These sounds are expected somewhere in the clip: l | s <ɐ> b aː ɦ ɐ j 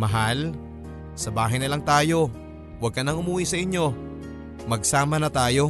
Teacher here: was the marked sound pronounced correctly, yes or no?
yes